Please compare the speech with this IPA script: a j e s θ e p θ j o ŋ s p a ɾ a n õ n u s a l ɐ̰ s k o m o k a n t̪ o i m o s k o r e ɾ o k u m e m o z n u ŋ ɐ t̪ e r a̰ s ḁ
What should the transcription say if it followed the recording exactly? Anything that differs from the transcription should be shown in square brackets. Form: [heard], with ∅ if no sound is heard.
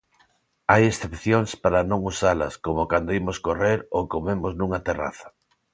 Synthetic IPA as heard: a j e s θ e p θ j o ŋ s p a ɾ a n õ [ŋ] u s a l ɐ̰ s k o m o k a n [d̪] o i m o s k o r e ɾ o k [o] m e m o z n u ŋ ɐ t̪ e r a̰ [θ] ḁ